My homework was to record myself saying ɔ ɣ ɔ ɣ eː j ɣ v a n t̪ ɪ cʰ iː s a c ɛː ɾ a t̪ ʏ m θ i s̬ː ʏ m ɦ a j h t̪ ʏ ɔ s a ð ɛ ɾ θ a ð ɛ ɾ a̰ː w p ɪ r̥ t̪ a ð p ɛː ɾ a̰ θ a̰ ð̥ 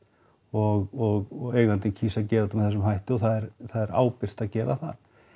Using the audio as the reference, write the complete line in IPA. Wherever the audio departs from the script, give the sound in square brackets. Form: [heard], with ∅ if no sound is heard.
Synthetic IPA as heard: ɔ ɣ ɔ ɣ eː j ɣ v a n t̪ ɪ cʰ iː s a c ɛː ɾ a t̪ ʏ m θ [ɛ] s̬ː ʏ m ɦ a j h t̪ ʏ ɔ [θ] a ð ɛ ɾ θ a ð ɛ ɾ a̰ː w p ɪ r̥ t̪ a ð [c] ɛː ɾ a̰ θ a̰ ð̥